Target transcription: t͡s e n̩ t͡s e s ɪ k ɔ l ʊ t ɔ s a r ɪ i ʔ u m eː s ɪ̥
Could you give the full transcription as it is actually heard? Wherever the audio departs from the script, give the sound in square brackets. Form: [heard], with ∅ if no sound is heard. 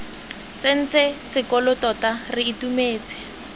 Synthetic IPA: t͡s e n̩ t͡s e s ɪ k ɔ l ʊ t ɔ [t] a r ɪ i [t] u m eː [t͡s] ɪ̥